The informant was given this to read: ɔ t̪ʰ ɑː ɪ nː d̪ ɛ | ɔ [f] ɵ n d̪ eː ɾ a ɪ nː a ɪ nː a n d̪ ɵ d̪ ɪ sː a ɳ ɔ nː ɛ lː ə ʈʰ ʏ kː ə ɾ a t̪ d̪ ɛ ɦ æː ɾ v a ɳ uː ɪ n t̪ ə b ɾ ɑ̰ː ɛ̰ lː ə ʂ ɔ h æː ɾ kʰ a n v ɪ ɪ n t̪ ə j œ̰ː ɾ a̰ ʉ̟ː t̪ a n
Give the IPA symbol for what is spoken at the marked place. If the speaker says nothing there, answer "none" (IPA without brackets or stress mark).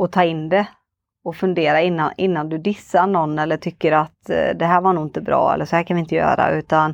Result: f